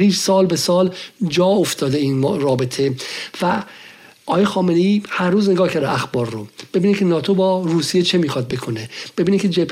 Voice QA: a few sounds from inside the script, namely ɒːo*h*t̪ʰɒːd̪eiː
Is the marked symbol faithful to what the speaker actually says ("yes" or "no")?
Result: no